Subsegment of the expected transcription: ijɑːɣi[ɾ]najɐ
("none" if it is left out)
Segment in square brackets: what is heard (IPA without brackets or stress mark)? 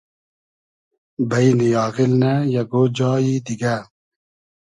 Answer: l